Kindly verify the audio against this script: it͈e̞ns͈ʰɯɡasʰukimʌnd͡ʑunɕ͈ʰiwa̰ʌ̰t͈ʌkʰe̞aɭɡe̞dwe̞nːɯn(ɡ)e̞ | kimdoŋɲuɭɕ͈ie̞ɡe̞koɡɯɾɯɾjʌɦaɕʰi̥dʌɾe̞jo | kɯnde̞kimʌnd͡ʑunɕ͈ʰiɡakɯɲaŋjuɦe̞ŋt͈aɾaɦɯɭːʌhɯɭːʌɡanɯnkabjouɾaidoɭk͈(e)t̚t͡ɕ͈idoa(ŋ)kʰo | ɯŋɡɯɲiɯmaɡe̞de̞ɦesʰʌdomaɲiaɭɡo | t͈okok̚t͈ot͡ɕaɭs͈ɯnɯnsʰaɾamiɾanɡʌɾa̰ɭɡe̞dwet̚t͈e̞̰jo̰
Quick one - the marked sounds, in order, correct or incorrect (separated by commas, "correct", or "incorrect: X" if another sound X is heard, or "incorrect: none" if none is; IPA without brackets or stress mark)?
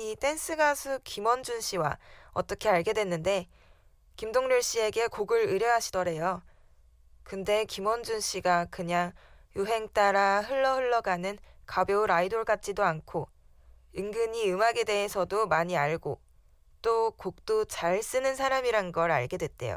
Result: incorrect: d, incorrect: a, incorrect: n